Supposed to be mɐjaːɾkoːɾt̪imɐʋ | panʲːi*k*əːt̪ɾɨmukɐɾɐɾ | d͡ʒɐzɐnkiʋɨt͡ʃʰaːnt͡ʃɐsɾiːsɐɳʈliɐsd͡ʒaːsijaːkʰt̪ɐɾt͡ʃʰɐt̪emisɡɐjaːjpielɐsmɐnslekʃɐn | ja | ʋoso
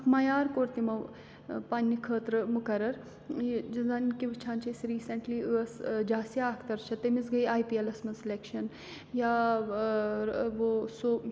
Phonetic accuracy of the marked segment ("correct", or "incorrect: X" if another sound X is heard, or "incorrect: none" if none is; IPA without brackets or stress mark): incorrect: kʰ